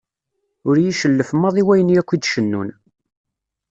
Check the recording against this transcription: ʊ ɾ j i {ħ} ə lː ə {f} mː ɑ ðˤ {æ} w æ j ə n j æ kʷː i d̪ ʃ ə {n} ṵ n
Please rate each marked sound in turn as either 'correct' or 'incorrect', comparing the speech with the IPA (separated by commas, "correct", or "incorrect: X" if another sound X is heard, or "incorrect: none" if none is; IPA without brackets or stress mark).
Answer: incorrect: ʃ, correct, incorrect: i, incorrect: nː